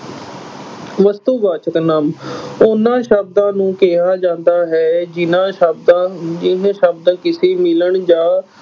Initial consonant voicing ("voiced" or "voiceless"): voiced